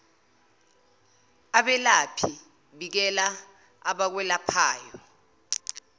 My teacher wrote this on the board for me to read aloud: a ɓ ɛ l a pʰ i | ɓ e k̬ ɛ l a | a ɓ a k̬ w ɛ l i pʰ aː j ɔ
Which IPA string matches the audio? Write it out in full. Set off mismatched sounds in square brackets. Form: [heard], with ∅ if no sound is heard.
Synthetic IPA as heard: a ɓ ɛ l a pʰ i | ɓ [i] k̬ ɛ l a | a ɓ a k̬ w ɛ l [a] pʰ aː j ɔ